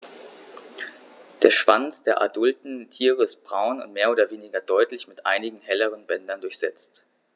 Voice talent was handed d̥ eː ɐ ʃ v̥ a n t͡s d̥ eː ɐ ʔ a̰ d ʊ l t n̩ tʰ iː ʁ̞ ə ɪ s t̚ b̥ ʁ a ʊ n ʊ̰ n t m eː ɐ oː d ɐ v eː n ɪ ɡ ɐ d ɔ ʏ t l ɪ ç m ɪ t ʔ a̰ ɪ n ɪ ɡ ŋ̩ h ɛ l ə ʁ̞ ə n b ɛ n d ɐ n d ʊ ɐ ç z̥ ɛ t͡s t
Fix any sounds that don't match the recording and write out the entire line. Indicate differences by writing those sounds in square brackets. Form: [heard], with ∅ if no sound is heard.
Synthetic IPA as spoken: d̥ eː ɐ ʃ v̥ a n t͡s d̥ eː ɐ ʔ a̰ d ʊ l t n̩ tʰ iː ʁ̞ ə ɪ s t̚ b̥ ʁ a ʊ n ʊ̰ n t m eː ɐ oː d ɐ v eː n ɪ ɡ ɐ d ɔ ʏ t l ɪ ç m ɪ t ʔ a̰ ɪ n ɪ ɡ ŋ̩ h ɛ l ə ʁ̞ ə n b ɛ n d ɐ n d ʊ ɐ ç z̥ ɛ t͡s t